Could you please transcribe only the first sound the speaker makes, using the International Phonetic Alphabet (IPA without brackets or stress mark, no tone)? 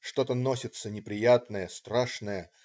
ʂ